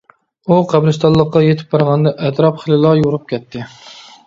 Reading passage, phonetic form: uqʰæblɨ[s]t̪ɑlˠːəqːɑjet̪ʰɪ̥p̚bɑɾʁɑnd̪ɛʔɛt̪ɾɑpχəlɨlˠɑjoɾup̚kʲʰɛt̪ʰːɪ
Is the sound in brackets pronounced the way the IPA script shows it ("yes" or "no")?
yes